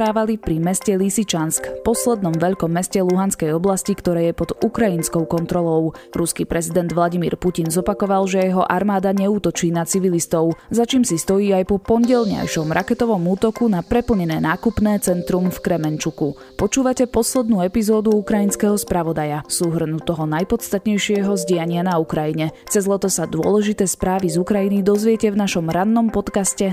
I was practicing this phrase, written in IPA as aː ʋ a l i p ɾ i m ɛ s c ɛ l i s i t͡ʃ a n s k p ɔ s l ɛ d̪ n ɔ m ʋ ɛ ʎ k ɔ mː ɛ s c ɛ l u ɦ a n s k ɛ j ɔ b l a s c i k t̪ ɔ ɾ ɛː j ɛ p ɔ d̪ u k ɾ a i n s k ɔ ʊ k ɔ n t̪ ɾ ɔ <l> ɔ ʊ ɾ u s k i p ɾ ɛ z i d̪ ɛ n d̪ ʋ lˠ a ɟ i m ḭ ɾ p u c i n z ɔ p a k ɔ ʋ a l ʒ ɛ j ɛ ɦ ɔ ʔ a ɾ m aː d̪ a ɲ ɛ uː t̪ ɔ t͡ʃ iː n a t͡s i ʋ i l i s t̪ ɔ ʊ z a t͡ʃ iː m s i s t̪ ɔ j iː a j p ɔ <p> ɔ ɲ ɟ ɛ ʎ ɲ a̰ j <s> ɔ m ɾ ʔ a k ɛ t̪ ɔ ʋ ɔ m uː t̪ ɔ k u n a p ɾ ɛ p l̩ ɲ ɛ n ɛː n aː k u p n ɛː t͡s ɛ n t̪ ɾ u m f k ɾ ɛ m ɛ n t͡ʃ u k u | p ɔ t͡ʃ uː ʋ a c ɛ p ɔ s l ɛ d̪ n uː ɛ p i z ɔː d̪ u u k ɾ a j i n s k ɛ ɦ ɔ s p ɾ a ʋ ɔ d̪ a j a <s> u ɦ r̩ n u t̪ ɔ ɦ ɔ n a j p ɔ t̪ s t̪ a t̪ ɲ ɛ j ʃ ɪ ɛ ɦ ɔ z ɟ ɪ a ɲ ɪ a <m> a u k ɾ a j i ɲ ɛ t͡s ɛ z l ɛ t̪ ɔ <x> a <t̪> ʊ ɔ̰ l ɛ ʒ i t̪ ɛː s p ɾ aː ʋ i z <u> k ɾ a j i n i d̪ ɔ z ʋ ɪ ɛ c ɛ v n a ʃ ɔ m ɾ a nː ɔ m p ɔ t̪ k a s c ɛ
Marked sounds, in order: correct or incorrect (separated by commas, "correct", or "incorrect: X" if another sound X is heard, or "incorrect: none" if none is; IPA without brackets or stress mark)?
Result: correct, correct, incorrect: ʃ, correct, incorrect: n, incorrect: s, incorrect: d̪, correct